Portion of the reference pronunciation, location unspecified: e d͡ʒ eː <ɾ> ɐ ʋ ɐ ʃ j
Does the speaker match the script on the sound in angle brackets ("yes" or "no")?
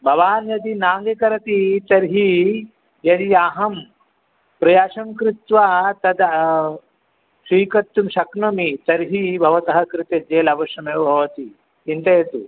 no